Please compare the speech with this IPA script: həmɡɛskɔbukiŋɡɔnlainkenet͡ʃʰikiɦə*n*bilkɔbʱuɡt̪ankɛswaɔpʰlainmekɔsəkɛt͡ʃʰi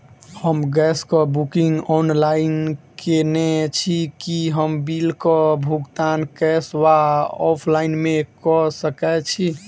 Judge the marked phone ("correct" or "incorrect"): incorrect